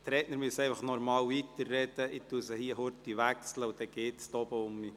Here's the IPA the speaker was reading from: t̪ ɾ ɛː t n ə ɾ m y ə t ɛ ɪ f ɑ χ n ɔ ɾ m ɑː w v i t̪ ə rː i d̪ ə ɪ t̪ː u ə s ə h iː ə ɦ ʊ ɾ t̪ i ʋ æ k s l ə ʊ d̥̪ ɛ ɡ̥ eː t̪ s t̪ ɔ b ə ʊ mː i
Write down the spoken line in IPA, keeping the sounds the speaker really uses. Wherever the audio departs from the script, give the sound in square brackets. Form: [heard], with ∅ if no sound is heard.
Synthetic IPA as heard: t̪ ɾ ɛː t n ə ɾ m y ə [s] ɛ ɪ f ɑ χ n ɔ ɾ m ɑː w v i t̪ ə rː [ɛ] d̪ ə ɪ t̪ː u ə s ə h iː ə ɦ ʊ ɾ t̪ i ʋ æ k s l ə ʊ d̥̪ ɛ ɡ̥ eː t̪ s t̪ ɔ b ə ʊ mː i